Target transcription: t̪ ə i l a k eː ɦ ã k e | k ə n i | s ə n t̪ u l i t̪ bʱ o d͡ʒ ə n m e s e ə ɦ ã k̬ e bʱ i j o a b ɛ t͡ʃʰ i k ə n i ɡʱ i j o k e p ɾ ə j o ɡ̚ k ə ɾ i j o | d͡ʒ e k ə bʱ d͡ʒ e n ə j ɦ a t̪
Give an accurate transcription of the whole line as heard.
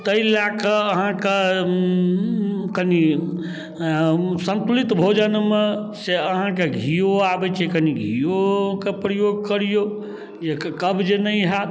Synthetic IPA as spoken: t̪ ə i l a k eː ɦ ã k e | k ə n i | s ə n t̪ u l i t̪ bʱ o d͡ʒ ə n m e s e ə ɦ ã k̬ e ɡʱ i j o a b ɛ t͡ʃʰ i k ə n i ɡʱ i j o k e p ɾ ə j o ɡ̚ k ə ɾ i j o | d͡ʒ e k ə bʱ d͡ʒ e n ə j ɦ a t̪